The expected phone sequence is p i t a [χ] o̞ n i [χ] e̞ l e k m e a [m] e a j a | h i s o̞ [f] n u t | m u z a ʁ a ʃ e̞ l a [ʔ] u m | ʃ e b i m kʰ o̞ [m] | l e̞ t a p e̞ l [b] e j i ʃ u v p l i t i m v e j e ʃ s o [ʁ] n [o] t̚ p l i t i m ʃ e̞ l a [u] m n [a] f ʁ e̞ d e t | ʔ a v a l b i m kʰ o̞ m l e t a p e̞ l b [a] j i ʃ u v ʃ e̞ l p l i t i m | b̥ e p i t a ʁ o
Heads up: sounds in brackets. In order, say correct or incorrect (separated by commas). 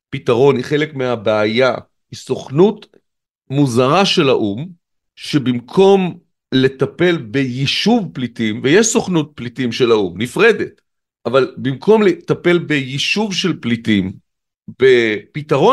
incorrect, correct, incorrect, incorrect, correct, correct, correct, incorrect, incorrect, correct, incorrect, incorrect